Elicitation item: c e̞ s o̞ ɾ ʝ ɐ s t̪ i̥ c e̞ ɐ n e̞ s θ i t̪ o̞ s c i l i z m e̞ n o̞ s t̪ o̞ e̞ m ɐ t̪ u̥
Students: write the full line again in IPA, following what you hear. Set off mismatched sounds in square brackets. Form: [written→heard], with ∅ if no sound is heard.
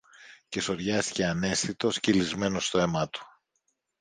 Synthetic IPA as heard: c e̞ s o̞ ɾ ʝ ɐ s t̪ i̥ c e̞ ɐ n e̞ s θ i t̪ o̞ s c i l i z m e̞ n o̞ s t̪ o̞ e̞ m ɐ t̪ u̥